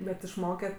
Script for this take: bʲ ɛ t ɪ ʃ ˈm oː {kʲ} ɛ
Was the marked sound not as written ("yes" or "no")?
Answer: no